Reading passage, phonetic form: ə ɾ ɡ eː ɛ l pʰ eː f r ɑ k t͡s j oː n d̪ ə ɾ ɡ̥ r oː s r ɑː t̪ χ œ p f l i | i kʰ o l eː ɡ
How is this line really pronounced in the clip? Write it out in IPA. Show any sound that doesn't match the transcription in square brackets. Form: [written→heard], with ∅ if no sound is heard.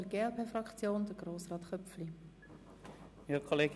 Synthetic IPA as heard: ə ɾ ɡ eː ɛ l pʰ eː f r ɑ k t͡s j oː n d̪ ə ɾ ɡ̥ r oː s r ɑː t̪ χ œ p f l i | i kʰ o l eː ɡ

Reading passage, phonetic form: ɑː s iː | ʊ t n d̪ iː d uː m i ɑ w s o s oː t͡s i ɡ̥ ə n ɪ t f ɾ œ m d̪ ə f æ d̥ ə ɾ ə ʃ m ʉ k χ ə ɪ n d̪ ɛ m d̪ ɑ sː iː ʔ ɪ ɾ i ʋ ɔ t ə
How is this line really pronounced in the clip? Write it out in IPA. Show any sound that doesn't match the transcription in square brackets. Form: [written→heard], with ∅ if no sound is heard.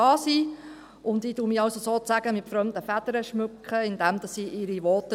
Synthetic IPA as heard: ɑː s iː | ʊ [t→∅] n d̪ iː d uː m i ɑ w s o s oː t͡s [i→æ] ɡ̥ ə [n→m] ɪ t f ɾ œ m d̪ ə f æ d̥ ə ɾ ə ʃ m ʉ k χ ə ɪ n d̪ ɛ m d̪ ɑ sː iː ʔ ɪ ɾ i ʋ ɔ t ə

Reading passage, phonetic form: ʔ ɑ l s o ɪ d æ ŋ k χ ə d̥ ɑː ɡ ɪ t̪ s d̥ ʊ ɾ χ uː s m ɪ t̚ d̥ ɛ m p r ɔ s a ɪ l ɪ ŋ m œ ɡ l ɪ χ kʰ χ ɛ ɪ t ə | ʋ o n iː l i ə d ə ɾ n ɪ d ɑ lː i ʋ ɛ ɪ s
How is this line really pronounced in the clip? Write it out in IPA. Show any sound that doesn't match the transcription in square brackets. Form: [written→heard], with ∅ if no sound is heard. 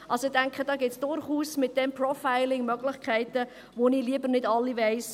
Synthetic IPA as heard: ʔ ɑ l s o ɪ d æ ŋ k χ ə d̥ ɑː ɡ ɪ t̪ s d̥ ʊ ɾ χ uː s m ɪ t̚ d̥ ɛ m p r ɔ [s→f] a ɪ l ɪ ŋ m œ ɡ l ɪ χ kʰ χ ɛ ɪ t ə | ʋ o n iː l i ə [d→b] ə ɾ n ɪ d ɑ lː i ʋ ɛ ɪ s

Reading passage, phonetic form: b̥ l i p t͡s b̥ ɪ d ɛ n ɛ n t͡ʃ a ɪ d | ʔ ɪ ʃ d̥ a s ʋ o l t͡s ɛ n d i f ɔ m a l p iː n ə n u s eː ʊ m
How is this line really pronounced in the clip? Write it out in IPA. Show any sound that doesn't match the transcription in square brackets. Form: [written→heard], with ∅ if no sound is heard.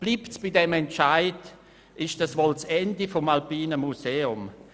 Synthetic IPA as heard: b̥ l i p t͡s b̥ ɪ d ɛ [n→m] ɛ n t͡ʃ a ɪ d | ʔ ɪ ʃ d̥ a s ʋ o l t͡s ɛ n d i f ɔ m a l p iː n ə [n→m] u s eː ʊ m

